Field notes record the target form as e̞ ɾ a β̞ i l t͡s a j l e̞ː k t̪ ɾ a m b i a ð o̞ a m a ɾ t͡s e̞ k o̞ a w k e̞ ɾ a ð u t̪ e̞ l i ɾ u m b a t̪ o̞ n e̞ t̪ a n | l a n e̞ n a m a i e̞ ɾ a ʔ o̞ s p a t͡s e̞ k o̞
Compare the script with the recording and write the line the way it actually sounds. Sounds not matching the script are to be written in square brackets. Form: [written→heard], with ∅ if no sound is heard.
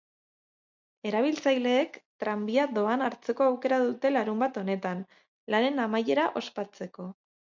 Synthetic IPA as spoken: e̞ ɾ a β̞ i l t͡s a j l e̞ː k t̪ ɾ a m b i a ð o̞ a [m→n] a ɾ t͡s e̞ k o̞ a w k e̞ ɾ a ð u t̪ e̞ l [i→a] ɾ u m b a t̪ o̞ n e̞ t̪ a n | l a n e̞ n a m a [i→j] e̞ ɾ a ʔ o̞ s p a t͡s e̞ k o̞